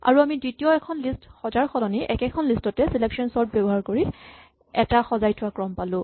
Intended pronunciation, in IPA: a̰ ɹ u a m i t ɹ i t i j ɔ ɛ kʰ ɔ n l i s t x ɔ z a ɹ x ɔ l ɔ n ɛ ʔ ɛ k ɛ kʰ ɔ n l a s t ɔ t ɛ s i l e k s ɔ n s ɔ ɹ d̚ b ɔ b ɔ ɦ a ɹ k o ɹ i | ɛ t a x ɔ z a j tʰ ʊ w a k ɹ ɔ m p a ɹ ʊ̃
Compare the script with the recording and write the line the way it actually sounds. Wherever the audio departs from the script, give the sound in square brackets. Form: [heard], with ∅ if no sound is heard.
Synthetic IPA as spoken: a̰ ɹ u a m i [d] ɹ i t i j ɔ ɛ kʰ ɔ n l i s t x ɔ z a ɹ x ɔ l ɔ n [i] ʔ ɛ k ɛ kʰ ɔ n l [i] s t ɔ t ɛ s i l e k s ɔ n s ɔ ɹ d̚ b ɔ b ɔ ɦ a ɹ k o ɹ i | ɛ t a x ɔ z a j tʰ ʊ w a k ɹ ɔ m p a [l] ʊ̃

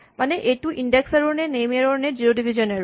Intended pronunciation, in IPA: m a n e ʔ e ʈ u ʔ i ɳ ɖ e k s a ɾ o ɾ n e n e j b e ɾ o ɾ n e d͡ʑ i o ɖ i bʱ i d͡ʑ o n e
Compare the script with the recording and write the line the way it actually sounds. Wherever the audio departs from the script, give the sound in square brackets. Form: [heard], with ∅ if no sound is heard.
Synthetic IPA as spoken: m a n e ʔ e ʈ u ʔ i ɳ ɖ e k s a ɾ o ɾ n e n e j [m] e ɾ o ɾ n e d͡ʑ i o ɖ i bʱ i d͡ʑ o n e

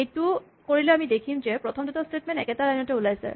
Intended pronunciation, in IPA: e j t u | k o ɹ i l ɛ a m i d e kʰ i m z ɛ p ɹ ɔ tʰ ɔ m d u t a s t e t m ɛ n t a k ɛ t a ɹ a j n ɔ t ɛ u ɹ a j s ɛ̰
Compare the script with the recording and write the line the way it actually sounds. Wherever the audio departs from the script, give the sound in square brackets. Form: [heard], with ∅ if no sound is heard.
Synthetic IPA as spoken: e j t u | k o ɹ i l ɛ a m i d e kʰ i m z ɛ p ɹ ɔ tʰ ɔ m d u t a s t e t m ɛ n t [ɛ] k ɛ t a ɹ a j n ɔ t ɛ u [l] a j s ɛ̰

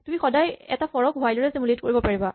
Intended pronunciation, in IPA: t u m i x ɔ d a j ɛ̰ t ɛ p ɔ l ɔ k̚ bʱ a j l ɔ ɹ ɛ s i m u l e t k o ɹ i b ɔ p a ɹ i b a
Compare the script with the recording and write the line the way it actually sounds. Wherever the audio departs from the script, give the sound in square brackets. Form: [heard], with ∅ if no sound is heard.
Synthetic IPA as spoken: t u m i x ɔ d a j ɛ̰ t [a] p ɔ [ɹ] ɔ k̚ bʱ a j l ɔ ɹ ɛ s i m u l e t k o ɹ i b ɔ p a ɹ i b a

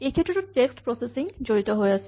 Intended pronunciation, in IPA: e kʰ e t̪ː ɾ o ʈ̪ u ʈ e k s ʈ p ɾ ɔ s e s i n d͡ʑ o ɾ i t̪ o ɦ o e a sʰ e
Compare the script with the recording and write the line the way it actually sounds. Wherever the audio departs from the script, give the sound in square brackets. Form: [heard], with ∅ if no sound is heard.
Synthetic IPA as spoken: e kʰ e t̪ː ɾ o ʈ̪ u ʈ e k s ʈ p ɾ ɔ s e s i [ŋ] d͡ʑ o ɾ i t̪ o ɦ o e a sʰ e

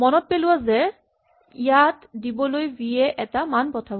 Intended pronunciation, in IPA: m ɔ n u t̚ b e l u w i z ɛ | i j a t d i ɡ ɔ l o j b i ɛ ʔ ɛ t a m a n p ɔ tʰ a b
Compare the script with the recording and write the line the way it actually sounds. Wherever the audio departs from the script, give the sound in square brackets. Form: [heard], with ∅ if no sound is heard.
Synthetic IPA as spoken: m ɔ n [ɔ] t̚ [p] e l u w [a] z ɛ | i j a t d i [b] ɔ l o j b i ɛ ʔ ɛ t a m a n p ɔ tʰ a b

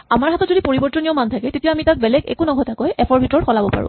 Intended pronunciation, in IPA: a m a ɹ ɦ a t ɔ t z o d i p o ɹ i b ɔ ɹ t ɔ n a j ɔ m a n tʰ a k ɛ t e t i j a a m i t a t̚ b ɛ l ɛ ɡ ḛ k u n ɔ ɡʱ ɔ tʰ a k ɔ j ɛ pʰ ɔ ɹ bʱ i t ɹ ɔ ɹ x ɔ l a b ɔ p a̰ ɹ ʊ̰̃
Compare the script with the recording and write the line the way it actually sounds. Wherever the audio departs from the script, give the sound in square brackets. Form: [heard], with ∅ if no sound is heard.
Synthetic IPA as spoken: a m a ɹ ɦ a t ɔ t z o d i p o ɹ i b ɔ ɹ t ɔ n [i] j ɔ m a n tʰ a k ɛ t e t i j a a m i t a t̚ b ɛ l ɛ ɡ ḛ k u n ɔ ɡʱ ɔ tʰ a k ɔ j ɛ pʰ ɔ ɹ bʱ i t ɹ ɔ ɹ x ɔ l a b ɔ p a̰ ɹ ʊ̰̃

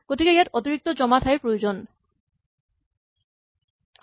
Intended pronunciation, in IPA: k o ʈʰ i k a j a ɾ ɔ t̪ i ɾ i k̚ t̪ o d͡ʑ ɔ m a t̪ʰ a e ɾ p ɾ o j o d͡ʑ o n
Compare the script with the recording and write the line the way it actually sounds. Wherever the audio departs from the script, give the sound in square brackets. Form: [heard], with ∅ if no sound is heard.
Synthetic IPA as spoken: k o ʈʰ i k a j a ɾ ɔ t̪ i ɾ i k̚ t̪ o d͡ʑ ɔ m a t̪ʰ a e ɾ p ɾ o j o d͡ʑ o n

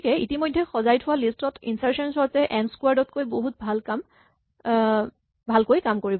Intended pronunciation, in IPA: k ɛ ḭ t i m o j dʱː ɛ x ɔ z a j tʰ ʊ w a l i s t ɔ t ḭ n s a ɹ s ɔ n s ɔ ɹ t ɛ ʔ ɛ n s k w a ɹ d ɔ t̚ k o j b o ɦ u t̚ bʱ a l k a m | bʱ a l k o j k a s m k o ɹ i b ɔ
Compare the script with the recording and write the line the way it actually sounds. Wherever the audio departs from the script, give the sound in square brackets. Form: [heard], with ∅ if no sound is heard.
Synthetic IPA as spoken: k ɛ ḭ t i m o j dʱː ɛ x ɔ z a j tʰ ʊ w a l i s t ɔ t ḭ n s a ɹ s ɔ n s ɔ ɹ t ɛ ʔ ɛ n s k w a ɹ d ɔ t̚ k o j b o ɦ u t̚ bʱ a l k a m | bʱ a l k o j k a [∅] m k o ɹ i b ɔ

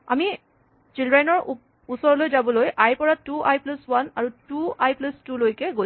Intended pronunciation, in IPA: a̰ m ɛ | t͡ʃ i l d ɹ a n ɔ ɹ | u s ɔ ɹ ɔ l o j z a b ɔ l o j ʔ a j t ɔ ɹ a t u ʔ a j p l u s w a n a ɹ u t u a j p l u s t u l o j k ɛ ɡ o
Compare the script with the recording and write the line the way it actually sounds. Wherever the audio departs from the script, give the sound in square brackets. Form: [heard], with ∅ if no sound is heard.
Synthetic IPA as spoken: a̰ m [i] | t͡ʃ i l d ɹ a n ɔ ɹ | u s ɔ ɹ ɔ l o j z a b ɔ l o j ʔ a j [p] ɔ ɹ a t u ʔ a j p l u s w a n a ɹ u t u a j p l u s t u l o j k ɛ ɡ o

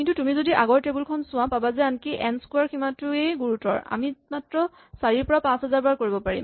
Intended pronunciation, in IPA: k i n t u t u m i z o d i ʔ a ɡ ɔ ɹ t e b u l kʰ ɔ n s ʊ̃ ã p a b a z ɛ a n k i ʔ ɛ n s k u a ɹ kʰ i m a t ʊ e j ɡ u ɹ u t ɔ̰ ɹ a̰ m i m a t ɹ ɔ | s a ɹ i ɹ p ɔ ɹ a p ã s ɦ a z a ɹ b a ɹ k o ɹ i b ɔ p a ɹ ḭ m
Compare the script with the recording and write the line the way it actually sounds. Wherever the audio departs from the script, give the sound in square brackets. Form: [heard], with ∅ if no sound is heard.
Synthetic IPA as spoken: k i n t u t u m i z o d i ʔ a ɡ ɔ ɹ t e b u l kʰ ɔ n s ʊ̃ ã p a b a z ɛ a n k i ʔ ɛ n s k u a ɹ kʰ i m a t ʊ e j ɡ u ɹ u t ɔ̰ ɹ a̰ m i m a t ɹ ɔ | s a ɹ i ɹ p ɔ ɹ a p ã s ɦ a z a ɹ b a ɹ k o ɹ i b ɔ p a ɹ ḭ m

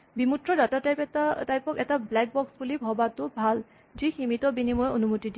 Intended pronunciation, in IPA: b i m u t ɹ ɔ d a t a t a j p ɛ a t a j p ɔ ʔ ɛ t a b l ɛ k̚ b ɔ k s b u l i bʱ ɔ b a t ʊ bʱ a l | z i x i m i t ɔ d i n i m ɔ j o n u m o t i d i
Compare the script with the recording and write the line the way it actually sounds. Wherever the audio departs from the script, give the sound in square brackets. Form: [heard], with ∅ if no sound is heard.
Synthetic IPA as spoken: b i m u t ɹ ɔ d a t a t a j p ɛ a t a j p ɔ [k] ɛ t a b l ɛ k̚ b ɔ k s b u l i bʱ ɔ b a t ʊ bʱ a l | z i x i m i t ɔ [b] i n i m ɔ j o n u m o t i d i

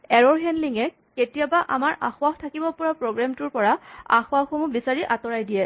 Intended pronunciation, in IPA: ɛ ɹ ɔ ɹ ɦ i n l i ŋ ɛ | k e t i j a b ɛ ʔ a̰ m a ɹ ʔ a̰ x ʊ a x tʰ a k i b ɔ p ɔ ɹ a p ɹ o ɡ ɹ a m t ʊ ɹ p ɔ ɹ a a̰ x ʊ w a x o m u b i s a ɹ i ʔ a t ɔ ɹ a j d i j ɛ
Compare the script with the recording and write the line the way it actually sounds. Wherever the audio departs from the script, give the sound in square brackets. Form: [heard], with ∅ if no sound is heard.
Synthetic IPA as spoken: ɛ ɹ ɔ ɹ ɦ [ɛ] n l i ŋ ɛ | k e t i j a b [a] ʔ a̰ m a ɹ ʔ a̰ x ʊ a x tʰ a k i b ɔ p ɔ ɹ a p ɹ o ɡ ɹ a m t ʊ ɹ p ɔ ɹ a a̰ x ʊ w a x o m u b i s a ɹ i ʔ a t ɔ ɹ a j d i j ɛ

